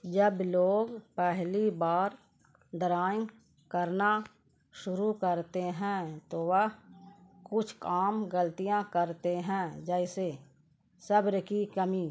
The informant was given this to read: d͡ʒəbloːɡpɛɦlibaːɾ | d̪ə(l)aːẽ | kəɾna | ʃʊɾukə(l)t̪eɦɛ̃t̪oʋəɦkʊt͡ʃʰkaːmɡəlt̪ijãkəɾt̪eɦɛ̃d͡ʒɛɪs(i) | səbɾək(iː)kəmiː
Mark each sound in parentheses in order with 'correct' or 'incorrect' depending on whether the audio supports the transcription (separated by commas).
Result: incorrect, incorrect, incorrect, incorrect